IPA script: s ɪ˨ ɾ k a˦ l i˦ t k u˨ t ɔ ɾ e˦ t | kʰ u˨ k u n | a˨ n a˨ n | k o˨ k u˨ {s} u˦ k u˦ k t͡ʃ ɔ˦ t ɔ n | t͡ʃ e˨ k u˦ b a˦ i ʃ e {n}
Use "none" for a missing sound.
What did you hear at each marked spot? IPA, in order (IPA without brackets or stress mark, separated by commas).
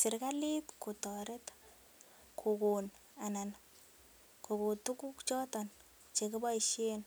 t, n